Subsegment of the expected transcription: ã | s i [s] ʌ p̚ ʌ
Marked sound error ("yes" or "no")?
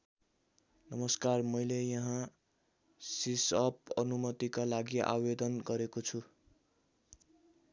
no